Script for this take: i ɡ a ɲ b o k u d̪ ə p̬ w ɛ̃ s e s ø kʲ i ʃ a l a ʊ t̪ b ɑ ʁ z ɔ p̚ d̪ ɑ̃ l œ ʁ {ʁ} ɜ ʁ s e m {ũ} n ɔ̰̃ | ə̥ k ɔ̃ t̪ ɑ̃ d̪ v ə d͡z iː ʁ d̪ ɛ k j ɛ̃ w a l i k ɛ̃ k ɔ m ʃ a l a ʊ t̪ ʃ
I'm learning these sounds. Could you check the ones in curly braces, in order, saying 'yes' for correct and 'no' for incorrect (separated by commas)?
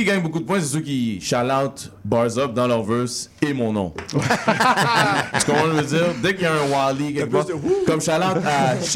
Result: no, no